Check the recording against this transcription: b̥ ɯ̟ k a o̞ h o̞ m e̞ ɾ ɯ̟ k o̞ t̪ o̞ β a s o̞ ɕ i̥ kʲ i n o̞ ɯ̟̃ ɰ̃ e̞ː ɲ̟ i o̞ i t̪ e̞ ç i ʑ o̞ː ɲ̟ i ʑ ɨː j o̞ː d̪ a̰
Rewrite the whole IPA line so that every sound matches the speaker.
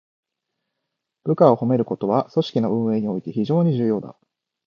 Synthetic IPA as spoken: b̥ ɯ̟ k a o̞ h o̞ m e̞ ɾ ɯ̟ k o̞ t̪ o̞ β a s o̞ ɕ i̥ kʲ i n o̞ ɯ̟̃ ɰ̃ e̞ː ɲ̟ i o̞ i t̪ e̞ ç i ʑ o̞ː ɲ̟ i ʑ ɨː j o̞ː d̪ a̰